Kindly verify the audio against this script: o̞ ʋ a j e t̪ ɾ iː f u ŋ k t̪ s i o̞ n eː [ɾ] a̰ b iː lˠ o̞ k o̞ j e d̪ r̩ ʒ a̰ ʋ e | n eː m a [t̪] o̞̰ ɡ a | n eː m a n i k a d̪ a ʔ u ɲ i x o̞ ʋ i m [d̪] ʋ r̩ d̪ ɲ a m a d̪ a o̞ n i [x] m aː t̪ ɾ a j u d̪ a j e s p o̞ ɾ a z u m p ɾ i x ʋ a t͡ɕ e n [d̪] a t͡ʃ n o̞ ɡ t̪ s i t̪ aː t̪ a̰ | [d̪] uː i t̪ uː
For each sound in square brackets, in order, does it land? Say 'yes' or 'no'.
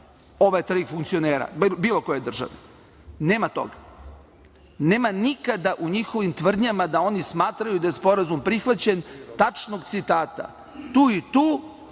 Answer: yes, yes, no, no, no, no

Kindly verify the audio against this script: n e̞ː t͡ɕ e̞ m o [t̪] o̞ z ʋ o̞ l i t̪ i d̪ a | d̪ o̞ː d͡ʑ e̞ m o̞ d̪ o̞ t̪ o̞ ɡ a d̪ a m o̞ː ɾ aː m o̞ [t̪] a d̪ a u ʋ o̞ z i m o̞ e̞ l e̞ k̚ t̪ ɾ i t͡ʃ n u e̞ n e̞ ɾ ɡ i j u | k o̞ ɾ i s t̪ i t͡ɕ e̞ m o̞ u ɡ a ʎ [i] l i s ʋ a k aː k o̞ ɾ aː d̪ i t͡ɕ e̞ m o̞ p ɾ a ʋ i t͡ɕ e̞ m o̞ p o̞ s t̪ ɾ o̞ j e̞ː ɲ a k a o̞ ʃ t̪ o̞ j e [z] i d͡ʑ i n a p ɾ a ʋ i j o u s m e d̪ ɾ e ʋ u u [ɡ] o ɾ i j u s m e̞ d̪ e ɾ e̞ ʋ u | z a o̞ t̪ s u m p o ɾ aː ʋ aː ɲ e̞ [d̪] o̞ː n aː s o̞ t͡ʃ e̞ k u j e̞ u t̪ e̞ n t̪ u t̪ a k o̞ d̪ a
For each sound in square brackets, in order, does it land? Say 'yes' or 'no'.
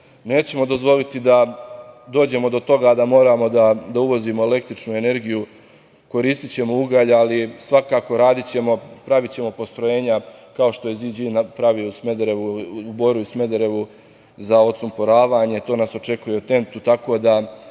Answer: no, no, no, yes, no, no

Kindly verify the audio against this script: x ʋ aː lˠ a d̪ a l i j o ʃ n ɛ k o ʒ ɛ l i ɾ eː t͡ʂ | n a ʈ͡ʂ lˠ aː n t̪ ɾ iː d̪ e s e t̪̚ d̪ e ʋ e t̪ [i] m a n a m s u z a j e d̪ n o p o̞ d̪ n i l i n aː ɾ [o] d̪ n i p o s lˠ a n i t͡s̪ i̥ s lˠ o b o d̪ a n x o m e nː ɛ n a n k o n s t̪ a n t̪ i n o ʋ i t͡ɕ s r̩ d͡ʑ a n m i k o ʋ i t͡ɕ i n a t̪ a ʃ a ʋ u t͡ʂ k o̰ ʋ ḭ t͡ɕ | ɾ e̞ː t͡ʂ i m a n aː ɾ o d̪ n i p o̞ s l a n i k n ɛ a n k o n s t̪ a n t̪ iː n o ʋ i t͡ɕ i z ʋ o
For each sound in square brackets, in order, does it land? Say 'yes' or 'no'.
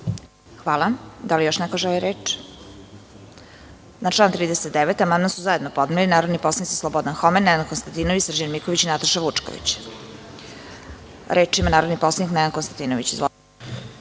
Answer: no, yes

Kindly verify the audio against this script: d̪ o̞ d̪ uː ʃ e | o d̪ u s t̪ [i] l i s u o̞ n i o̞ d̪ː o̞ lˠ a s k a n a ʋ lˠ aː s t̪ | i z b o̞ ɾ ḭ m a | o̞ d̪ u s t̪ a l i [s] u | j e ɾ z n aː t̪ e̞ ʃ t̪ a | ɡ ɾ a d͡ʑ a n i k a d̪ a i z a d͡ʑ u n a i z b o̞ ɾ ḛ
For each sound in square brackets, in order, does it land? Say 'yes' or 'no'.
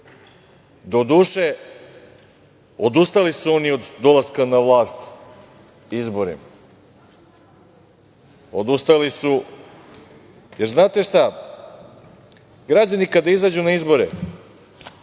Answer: no, yes

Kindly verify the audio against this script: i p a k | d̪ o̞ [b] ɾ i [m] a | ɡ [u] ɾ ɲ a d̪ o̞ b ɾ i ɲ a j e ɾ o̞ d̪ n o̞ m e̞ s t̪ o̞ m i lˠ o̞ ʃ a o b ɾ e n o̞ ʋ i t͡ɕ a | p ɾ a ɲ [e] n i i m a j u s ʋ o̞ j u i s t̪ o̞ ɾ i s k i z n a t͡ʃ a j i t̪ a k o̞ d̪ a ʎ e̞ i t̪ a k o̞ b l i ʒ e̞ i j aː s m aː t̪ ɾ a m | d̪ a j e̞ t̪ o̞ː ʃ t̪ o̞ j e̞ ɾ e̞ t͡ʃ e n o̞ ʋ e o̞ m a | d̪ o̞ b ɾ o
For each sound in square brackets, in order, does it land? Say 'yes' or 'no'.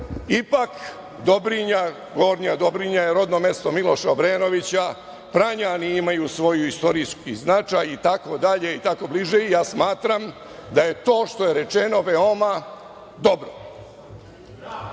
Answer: yes, no, no, no

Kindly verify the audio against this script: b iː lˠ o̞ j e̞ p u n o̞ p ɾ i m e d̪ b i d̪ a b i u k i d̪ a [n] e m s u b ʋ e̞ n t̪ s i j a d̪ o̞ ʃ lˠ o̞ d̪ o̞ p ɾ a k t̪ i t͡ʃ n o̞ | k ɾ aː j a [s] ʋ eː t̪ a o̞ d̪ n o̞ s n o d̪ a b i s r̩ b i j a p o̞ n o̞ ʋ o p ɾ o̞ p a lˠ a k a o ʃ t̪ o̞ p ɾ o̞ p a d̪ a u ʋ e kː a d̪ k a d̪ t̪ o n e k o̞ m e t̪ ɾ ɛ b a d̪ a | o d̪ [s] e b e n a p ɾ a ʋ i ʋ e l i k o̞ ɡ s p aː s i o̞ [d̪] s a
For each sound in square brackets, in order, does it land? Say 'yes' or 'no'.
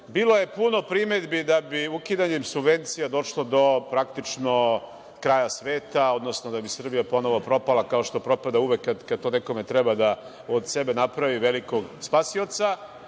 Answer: no, yes, yes, no

